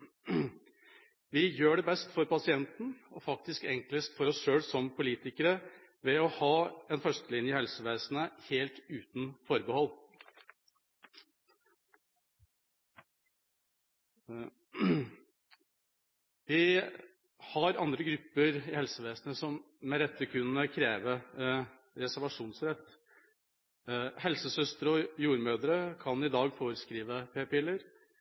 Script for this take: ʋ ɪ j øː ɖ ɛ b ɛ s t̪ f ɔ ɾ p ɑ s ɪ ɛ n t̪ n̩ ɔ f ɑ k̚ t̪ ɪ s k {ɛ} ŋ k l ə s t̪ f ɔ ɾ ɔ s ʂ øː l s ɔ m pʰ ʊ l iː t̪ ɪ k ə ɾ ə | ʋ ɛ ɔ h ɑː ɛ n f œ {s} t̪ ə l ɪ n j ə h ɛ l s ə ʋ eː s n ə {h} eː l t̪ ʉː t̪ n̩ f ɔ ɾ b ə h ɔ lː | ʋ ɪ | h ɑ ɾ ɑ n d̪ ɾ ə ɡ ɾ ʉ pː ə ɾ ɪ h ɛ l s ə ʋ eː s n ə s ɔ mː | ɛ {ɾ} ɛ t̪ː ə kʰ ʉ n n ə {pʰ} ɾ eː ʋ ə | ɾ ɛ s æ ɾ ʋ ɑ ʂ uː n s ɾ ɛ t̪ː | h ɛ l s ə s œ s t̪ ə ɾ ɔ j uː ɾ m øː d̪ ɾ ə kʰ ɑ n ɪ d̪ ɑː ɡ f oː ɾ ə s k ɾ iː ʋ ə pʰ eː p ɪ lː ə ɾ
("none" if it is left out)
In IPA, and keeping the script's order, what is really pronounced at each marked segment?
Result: ɛ, ʂ, h, ɾ, kʰ

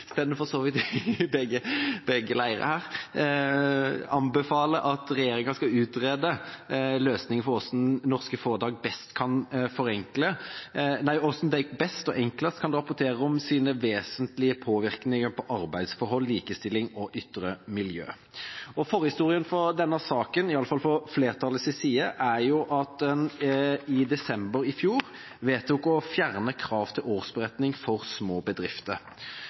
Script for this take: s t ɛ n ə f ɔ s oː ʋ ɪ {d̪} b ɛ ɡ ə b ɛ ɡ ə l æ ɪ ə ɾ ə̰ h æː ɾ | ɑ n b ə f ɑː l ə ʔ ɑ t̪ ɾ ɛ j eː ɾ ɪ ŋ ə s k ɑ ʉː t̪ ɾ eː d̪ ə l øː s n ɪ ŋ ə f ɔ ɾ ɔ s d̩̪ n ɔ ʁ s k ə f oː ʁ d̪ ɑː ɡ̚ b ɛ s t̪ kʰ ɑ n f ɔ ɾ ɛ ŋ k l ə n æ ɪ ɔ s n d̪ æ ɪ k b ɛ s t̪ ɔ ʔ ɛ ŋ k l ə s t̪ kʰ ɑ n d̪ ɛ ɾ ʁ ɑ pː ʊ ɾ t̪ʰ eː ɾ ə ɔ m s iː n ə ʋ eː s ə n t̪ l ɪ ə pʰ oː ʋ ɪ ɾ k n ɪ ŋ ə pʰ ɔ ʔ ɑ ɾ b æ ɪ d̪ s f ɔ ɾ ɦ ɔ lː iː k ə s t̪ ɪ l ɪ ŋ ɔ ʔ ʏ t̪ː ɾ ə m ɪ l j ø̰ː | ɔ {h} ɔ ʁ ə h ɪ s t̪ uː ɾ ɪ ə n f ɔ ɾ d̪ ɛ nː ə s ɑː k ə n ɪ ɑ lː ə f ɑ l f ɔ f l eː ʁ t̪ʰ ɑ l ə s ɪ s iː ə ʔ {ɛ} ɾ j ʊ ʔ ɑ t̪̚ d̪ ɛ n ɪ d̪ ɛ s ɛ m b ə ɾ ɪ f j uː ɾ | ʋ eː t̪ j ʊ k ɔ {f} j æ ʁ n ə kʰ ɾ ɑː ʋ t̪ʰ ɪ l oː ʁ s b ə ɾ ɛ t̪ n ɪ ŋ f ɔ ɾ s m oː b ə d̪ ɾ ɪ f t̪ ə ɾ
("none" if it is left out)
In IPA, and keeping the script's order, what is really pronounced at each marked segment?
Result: t̪, f, æ, f

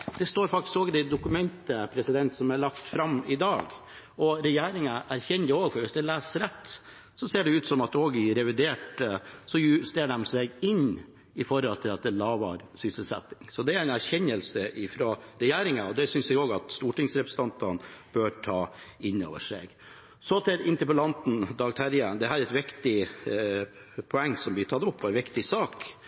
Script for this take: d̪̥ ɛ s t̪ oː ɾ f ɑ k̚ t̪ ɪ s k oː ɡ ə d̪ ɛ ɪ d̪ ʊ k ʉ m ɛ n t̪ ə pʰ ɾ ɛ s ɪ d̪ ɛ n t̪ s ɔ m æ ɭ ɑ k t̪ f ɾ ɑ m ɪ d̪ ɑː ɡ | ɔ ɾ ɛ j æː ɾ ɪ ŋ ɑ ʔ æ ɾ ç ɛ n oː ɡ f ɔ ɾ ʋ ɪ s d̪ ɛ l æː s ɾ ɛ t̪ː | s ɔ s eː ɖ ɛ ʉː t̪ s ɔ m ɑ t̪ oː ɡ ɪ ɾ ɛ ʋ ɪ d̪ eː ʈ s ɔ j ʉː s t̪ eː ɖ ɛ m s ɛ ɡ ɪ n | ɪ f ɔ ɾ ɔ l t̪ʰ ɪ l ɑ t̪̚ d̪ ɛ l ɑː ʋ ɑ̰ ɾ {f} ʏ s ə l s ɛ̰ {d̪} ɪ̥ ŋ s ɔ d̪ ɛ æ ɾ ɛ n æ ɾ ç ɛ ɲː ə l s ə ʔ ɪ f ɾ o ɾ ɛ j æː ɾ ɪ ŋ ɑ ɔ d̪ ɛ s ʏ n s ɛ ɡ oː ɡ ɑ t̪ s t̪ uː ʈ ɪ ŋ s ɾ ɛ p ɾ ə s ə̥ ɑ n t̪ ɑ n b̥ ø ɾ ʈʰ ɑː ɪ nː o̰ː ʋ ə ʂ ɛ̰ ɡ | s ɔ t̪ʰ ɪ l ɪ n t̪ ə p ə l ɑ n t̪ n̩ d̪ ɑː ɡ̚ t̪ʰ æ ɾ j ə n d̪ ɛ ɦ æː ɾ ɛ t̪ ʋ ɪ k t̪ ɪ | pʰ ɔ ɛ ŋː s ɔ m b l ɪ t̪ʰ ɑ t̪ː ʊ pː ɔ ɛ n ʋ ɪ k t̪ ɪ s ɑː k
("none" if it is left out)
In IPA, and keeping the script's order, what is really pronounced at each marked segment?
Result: s, t̪

